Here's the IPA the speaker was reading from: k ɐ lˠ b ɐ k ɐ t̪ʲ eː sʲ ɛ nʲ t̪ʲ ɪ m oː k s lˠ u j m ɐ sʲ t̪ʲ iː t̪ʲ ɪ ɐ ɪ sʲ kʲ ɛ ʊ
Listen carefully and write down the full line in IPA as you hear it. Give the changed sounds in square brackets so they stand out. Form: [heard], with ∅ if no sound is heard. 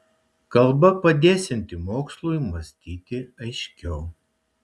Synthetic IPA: k ɐ lˠ b ɐ [p] ɐ [d̪ʲ] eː sʲ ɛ nʲ t̪ʲ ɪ m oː k s lˠ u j m ɐ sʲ t̪ʲ iː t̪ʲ ɪ ɐ ɪ [ʃʲ] kʲ ɛ ʊ